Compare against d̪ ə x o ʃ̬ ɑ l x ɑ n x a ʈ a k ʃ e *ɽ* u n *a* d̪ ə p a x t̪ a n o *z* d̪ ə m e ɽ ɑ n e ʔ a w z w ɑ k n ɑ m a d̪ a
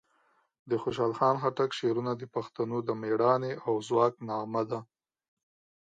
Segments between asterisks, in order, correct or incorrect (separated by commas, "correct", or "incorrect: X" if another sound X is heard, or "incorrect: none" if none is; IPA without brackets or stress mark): incorrect: ɾ, correct, incorrect: none